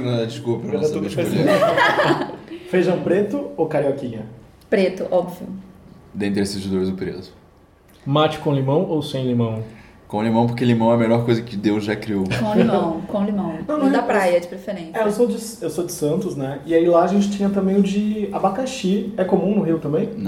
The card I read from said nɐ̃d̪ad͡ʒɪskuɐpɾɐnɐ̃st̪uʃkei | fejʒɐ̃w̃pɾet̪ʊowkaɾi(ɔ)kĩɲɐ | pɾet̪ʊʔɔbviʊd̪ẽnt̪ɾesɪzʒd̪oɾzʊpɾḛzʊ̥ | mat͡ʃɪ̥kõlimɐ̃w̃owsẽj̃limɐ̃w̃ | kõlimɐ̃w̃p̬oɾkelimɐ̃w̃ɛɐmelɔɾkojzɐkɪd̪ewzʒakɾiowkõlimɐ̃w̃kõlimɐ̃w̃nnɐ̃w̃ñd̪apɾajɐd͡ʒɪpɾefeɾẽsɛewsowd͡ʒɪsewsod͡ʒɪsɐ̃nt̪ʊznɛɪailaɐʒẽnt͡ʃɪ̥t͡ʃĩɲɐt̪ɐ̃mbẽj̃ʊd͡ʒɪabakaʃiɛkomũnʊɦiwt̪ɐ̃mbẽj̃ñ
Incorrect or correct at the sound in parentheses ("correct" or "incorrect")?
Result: correct